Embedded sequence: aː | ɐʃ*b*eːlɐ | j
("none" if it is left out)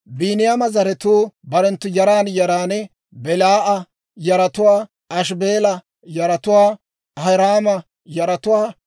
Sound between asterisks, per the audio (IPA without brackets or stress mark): b